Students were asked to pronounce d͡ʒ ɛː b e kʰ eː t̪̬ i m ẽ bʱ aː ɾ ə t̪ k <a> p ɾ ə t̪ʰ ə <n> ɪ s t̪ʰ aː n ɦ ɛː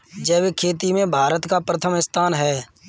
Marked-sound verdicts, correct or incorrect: correct, incorrect: m

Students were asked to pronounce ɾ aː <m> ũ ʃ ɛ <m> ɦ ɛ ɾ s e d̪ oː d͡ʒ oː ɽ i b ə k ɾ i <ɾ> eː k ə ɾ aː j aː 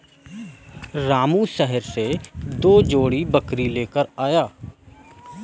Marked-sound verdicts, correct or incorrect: correct, incorrect: none, incorrect: l

